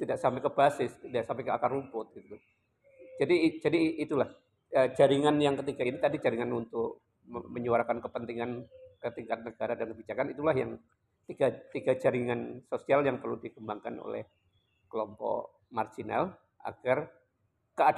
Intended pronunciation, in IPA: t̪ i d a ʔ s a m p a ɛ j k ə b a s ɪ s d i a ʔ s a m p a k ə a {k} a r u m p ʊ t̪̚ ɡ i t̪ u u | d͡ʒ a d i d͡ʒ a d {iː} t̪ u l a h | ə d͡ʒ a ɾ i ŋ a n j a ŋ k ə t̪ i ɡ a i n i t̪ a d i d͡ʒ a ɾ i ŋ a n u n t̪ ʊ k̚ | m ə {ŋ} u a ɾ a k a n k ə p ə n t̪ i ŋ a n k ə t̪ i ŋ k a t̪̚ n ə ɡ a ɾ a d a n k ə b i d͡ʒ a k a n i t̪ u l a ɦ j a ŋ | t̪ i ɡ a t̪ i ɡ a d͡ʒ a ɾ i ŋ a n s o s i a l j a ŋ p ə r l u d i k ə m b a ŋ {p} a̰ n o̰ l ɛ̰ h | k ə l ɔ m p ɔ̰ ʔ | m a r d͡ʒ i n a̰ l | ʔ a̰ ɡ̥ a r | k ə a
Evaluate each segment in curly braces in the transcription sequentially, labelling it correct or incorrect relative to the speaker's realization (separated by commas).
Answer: correct, correct, incorrect, incorrect